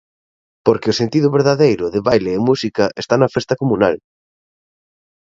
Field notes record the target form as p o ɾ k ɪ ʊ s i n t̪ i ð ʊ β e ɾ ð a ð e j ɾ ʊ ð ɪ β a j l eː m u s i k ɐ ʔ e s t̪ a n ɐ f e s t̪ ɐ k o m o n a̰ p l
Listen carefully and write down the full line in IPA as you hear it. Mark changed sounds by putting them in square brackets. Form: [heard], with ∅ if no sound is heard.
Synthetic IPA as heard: p o ɾ k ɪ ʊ s [e] n t̪ i ð ʊ β e ɾ ð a ð e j ɾ ʊ ð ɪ β a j l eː m u s i k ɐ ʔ e s t̪ a n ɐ f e s t̪ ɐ k o m [u] n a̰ [∅] l